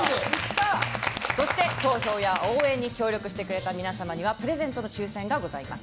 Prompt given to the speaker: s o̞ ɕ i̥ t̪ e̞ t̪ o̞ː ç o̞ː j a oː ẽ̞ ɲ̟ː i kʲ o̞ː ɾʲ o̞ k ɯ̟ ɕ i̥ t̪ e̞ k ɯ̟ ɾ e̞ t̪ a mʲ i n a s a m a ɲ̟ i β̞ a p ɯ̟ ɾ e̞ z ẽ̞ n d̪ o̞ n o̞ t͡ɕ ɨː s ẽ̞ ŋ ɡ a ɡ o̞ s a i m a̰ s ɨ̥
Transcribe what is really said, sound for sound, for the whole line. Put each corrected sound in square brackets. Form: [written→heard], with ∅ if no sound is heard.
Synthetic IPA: s o̞ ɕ i̥ t̪ e̞ t̪ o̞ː ç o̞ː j a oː ẽ̞ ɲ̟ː i kʲ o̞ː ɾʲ o̞ k ɯ̟ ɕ i̥ t̪ e̞ k ɯ̟ ɾ e̞ t̪ a mʲ i n a s a m a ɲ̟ i β̞ a p ɯ̟ ɾ e̞ z ẽ̞ n [d̪→t̪] o̞ n o̞ t͡ɕ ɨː s ẽ̞ ŋ ɡ a ɡ o̞ [s→z] a i m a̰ s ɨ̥